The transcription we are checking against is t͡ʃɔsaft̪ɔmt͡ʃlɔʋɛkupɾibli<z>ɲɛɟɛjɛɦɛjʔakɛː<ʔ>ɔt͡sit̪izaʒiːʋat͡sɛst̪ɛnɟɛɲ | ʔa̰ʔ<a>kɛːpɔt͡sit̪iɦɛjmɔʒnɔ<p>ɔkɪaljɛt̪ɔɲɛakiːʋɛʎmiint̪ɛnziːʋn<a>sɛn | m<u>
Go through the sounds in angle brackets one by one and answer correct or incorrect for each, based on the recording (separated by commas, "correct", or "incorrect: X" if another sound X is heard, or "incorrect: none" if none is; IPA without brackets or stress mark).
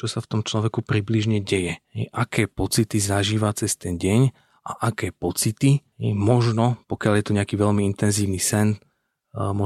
incorrect: ʒ, incorrect: p, correct, correct, incorrect: i, incorrect: ɔ